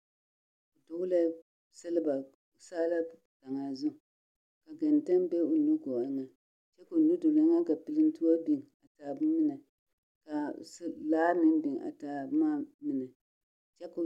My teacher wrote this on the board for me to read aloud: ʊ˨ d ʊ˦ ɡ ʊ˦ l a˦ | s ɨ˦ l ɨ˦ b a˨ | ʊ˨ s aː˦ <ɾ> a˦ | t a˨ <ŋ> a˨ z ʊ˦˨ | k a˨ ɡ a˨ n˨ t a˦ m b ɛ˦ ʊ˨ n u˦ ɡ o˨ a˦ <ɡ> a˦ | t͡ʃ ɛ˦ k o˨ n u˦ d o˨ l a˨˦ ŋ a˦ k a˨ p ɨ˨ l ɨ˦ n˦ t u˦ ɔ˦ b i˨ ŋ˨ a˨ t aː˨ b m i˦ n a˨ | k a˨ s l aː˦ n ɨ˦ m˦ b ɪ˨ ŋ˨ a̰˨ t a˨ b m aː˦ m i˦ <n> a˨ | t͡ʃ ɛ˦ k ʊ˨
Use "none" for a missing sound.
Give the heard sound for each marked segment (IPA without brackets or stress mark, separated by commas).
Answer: l, ŋ, ŋ, n